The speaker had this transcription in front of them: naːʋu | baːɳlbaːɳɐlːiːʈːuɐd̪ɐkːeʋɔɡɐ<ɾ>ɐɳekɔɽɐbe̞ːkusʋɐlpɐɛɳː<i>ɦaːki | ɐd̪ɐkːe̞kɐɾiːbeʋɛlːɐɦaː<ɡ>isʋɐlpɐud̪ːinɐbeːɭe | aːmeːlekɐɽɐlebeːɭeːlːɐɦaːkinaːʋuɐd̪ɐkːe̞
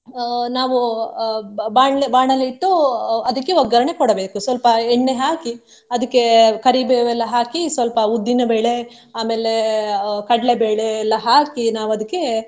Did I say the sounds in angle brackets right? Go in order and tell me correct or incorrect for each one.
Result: correct, incorrect, incorrect

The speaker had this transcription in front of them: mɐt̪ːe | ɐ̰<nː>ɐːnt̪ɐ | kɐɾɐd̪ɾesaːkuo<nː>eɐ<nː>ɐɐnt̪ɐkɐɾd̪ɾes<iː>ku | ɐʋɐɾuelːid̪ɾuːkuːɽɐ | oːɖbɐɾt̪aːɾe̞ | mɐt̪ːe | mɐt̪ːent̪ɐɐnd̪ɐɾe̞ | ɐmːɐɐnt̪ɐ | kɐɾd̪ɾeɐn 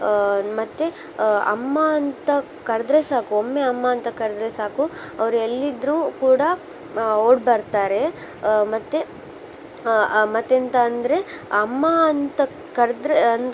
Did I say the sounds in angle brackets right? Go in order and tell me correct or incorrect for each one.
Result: incorrect, incorrect, incorrect, incorrect

